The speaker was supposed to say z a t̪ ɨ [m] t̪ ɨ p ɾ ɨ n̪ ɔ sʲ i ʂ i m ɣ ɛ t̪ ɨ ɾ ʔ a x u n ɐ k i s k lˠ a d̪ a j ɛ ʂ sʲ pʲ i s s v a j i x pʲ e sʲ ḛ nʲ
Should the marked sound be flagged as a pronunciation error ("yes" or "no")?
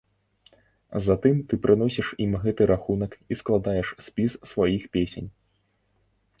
no